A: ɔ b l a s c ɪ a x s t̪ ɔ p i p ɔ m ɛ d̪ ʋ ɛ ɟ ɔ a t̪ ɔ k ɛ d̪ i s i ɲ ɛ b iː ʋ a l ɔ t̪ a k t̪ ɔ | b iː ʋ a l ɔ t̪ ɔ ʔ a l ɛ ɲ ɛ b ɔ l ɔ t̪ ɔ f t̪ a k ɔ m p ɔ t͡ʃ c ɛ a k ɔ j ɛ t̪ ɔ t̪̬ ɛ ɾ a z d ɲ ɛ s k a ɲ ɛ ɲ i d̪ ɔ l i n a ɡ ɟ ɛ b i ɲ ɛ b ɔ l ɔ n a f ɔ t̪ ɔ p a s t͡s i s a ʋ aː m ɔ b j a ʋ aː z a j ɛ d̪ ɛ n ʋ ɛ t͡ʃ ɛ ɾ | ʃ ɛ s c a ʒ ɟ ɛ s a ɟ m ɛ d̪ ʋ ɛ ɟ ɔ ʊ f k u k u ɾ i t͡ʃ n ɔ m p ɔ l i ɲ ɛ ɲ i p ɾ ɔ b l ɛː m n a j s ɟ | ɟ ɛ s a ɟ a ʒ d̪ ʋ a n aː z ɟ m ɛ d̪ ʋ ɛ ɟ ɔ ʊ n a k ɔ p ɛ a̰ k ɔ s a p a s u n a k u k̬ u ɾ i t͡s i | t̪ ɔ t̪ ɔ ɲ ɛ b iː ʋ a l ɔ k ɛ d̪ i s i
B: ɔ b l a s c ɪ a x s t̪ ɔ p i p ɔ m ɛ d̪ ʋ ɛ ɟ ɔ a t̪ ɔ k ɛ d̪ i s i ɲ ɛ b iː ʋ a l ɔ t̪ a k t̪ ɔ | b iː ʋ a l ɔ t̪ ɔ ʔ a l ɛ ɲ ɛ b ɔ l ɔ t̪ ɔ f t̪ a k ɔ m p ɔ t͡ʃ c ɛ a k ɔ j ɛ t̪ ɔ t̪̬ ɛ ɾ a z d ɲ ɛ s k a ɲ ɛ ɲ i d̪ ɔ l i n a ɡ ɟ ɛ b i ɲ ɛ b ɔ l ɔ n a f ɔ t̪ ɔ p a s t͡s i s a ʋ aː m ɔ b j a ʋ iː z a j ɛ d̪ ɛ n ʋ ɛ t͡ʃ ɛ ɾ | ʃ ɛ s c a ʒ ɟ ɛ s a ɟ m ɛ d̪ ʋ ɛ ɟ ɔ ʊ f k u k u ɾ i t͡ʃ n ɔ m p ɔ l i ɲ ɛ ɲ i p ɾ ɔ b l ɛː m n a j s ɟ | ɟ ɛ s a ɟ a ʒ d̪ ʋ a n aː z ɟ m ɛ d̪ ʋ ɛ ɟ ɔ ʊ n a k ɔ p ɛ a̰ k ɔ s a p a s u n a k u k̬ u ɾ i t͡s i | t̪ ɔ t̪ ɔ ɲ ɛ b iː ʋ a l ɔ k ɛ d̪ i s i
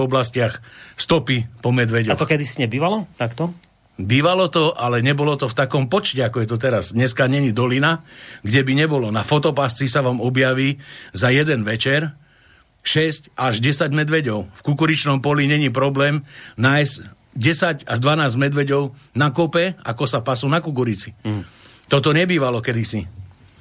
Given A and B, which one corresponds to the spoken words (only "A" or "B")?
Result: B